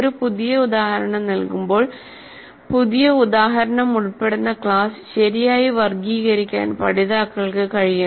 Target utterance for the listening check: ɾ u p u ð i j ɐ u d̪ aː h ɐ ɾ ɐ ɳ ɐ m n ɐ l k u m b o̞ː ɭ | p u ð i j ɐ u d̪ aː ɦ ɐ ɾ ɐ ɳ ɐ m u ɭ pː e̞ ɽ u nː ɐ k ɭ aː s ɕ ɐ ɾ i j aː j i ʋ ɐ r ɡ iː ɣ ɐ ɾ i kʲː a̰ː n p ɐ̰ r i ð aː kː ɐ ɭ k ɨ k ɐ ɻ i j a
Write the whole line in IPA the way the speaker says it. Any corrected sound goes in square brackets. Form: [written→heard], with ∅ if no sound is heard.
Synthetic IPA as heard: ɾ u p u ð i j ɐ u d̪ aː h ɐ ɾ ɐ ɳ ɐ m n ɐ l k u m b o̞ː ɭ | p u ð i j ɐ u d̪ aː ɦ ɐ ɾ ɐ ɳ ɐ m u ɭ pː e̞ ɽ u nː ɐ k ɭ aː s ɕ ɐ ɾ i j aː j i ʋ ɐ r ɡ iː ɣ ɐ ɾ i kʲː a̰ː n p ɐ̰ [r→ɽ] i ð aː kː ɐ ɭ k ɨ k ɐ ɻ i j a